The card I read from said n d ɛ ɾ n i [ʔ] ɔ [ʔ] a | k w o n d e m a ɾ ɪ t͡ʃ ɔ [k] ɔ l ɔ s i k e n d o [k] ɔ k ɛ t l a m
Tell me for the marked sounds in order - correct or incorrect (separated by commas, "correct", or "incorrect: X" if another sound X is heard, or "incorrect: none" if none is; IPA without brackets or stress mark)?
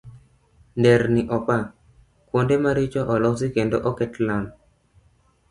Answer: correct, incorrect: p, incorrect: ʔ, incorrect: ʔ